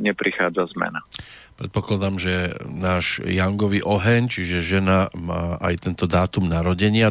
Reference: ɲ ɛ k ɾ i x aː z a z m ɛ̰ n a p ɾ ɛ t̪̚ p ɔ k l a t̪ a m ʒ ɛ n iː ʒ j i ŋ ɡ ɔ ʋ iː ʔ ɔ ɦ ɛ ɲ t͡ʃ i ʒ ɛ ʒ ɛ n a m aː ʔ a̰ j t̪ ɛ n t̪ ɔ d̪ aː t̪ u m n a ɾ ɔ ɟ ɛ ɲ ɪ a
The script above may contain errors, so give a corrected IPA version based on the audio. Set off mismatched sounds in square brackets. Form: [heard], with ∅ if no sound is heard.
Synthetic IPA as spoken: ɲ ɛ [p] ɾ i x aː [d͡z] a z m ɛ̰ n a p ɾ ɛ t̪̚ p ɔ k l a [d̪] a m ʒ ɛ n [aː] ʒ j [a] ŋ ɡ ɔ ʋ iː ʔ ɔ ɦ ɛ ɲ t͡ʃ i ʒ ɛ ʒ ɛ n a m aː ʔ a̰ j t̪ ɛ n t̪ ɔ d̪ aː t̪ u m n a ɾ ɔ ɟ ɛ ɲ ɪ a